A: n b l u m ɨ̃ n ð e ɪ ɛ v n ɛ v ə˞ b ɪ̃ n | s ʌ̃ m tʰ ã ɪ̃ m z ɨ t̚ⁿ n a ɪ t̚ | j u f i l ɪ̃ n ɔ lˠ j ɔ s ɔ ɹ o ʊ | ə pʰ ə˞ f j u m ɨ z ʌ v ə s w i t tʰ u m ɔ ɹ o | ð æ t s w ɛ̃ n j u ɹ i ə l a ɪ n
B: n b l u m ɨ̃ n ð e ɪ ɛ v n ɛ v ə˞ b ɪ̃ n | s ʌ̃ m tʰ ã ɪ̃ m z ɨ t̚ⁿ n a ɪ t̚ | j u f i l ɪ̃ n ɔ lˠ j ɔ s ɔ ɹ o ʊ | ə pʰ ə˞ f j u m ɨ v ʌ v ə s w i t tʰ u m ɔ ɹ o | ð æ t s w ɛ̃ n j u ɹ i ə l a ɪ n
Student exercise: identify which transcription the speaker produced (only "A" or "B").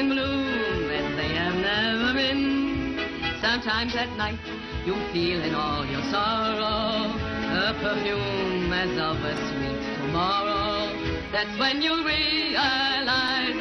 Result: A